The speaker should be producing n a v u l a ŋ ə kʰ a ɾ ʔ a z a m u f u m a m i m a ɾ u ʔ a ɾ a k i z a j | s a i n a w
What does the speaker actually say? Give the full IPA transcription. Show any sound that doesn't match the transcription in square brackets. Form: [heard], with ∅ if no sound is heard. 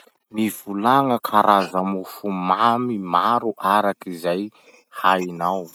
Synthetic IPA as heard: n [i] v u l a ŋ ə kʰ a ɾ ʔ a z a m u f u m a m i m a ɾ u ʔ a ɾ a k i z a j | [h] a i n a w